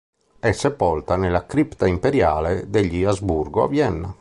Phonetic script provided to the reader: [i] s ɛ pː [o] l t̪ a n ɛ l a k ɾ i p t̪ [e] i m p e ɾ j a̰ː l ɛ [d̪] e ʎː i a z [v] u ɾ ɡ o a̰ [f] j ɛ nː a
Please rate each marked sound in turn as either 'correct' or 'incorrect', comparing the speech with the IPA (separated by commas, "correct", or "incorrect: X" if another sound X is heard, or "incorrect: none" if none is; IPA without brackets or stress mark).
incorrect: ɛ, incorrect: ɔ, incorrect: a, correct, incorrect: b, incorrect: v